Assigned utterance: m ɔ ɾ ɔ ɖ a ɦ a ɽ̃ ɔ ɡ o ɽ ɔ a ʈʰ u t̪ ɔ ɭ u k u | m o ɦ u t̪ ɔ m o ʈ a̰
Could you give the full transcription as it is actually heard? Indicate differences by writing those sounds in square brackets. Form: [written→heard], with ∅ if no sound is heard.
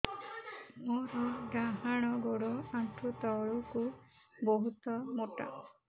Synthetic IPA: m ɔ ɾ ɔ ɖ a ɦ a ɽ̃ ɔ ɡ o ɽ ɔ a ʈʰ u t̪ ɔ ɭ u k u | [m→b] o ɦ u t̪ ɔ m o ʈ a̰